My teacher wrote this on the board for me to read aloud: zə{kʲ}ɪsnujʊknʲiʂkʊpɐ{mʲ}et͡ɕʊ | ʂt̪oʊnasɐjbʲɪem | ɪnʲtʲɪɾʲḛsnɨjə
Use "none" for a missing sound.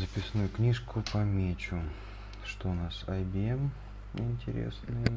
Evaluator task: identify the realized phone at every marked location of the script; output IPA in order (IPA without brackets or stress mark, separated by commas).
pʲ, mʲ